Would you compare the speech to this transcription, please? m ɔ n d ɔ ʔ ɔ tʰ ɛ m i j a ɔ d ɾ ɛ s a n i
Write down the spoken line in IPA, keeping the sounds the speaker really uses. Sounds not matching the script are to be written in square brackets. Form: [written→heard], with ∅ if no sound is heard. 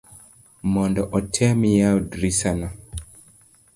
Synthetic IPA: m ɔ n d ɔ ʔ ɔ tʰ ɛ m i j a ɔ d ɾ [ɛ→i] s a n [i→a]